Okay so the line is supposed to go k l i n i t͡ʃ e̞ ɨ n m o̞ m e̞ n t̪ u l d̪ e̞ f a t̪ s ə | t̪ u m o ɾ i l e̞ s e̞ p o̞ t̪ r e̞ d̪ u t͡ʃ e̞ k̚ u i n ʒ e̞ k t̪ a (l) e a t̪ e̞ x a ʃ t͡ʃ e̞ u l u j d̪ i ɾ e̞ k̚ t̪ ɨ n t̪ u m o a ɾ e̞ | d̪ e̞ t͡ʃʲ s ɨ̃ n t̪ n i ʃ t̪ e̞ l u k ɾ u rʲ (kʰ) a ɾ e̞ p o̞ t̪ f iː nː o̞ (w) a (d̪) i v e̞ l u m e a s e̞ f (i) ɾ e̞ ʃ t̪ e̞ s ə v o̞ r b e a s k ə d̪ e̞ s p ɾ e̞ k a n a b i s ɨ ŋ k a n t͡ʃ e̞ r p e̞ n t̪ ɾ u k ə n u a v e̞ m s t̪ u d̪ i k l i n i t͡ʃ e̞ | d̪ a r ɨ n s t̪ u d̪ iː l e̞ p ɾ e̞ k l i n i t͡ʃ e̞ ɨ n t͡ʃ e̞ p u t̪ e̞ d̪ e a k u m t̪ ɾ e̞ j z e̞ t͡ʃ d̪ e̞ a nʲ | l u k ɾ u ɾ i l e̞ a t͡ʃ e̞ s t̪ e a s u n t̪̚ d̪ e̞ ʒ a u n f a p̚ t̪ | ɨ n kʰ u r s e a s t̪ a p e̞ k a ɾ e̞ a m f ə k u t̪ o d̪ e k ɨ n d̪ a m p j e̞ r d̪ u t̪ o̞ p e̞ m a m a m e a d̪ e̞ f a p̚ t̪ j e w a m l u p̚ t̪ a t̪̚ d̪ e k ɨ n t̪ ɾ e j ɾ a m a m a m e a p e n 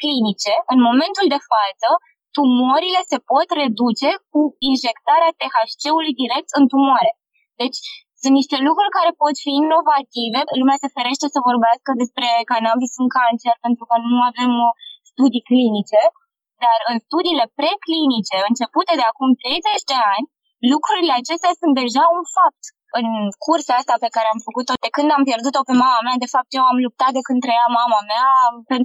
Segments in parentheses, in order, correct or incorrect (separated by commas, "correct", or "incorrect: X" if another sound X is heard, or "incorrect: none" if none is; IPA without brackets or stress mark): incorrect: ɾ, incorrect: k, incorrect: v, incorrect: t̪, incorrect: e